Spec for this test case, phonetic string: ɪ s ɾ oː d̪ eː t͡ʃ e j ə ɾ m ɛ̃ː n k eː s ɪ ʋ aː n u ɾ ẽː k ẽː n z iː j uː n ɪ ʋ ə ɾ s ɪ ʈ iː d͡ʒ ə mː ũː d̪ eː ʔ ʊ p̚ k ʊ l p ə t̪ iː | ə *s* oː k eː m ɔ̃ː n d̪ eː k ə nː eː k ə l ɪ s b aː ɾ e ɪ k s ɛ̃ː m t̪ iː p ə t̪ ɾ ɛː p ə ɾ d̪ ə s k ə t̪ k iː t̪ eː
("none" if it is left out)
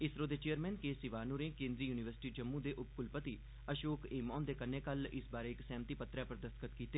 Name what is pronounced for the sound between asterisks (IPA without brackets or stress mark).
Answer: ʃ